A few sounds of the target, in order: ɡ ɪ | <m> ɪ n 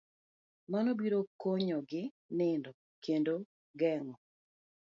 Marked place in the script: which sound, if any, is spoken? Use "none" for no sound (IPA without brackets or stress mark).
n